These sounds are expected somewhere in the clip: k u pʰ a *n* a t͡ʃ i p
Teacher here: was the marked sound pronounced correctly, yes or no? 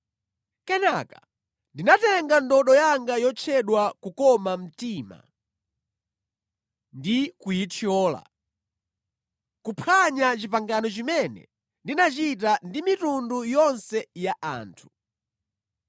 no